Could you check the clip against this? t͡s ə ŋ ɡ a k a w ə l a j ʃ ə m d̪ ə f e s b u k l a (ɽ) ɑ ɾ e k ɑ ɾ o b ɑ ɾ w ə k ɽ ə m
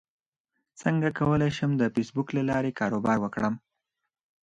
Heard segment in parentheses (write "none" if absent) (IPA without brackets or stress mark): l